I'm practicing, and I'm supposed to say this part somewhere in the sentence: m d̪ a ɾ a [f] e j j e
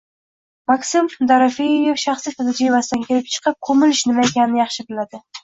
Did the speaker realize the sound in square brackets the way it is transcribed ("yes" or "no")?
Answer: yes